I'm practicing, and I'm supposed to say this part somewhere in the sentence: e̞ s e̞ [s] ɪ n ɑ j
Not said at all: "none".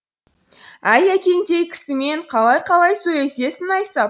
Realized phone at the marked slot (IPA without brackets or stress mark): s